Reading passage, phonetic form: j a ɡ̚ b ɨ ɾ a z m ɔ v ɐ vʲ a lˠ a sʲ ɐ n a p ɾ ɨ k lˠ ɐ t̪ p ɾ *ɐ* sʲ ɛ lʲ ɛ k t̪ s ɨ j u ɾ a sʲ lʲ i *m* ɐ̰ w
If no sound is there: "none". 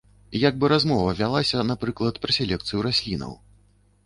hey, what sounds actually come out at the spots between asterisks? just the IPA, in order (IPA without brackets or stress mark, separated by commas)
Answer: ɐ, n